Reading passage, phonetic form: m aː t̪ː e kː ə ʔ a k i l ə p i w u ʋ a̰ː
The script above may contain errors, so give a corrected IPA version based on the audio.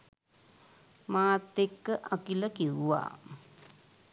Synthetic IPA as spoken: m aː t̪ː e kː ə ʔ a k i l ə k i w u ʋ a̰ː